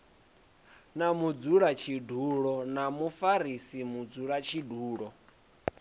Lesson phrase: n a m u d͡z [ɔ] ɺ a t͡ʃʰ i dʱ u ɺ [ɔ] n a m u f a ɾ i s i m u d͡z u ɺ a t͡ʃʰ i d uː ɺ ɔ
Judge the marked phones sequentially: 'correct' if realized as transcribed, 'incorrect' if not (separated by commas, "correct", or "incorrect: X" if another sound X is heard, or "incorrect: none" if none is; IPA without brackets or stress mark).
incorrect: u, correct